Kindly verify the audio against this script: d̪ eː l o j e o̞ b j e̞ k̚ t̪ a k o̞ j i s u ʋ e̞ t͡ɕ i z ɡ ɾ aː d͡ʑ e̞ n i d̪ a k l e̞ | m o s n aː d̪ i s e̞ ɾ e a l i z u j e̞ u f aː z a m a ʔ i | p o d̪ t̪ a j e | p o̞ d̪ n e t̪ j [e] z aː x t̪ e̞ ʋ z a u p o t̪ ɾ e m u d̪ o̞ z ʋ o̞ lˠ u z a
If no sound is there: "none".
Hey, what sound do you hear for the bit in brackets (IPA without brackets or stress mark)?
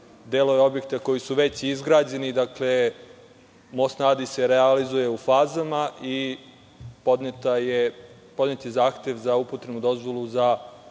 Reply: e